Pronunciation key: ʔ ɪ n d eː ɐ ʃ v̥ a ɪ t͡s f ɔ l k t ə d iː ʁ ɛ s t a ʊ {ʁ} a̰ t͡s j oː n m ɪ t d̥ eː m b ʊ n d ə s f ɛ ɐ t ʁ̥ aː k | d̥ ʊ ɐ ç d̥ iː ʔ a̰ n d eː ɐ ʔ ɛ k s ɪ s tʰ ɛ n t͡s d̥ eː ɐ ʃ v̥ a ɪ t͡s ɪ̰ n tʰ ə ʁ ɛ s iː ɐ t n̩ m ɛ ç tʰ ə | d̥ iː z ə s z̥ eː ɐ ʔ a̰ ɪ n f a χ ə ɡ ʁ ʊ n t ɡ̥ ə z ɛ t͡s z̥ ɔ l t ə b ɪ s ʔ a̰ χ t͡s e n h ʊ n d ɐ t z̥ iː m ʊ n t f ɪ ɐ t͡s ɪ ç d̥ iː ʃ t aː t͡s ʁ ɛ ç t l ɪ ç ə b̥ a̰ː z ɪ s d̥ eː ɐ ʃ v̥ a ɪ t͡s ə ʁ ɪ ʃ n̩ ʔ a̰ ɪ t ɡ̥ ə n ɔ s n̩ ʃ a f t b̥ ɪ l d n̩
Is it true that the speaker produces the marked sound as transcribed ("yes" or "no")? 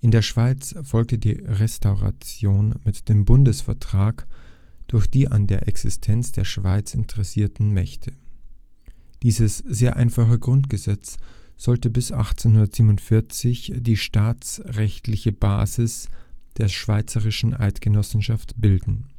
yes